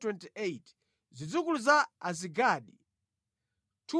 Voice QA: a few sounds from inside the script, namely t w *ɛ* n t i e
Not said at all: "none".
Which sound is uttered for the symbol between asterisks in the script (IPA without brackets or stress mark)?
ɛ